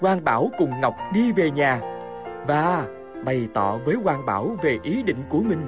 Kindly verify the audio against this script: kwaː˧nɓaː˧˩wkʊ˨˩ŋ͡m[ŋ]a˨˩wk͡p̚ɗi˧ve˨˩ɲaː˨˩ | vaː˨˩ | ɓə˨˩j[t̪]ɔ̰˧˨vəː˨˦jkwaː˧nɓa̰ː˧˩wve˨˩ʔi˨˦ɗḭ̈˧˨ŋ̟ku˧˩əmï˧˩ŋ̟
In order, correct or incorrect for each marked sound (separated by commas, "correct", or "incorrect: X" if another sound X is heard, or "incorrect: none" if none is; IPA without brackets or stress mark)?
correct, correct